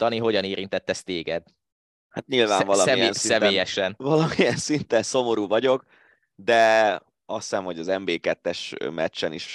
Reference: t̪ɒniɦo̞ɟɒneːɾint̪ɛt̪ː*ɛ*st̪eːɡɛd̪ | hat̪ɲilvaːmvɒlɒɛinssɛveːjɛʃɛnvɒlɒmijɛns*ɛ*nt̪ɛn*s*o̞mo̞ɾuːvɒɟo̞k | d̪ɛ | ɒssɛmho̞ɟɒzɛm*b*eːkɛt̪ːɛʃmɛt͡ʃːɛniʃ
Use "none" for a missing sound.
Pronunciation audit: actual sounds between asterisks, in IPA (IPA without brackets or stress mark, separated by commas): ɛ, i, s, b